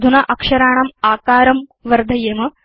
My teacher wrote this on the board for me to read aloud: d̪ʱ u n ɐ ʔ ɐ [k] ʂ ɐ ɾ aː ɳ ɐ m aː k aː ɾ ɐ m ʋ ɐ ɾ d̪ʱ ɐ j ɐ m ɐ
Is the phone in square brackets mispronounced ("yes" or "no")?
no